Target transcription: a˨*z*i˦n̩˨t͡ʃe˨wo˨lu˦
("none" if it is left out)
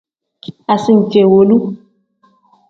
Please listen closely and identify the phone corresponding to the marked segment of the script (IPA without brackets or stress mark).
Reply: s